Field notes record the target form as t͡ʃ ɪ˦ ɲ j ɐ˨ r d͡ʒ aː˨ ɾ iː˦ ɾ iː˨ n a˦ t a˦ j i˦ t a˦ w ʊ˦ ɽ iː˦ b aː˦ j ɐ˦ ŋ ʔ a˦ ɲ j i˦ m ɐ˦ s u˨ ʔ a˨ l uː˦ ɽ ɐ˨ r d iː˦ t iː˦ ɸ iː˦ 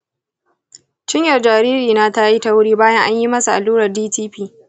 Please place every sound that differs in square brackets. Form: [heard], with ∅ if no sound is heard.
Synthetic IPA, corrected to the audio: t͡ʃ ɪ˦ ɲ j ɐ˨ r d͡ʒ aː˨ ɾ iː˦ ɾ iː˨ n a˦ t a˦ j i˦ t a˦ w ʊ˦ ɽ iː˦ b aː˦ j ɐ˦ ŋ ʔ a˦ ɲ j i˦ m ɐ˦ s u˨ ʔ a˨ l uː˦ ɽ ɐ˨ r d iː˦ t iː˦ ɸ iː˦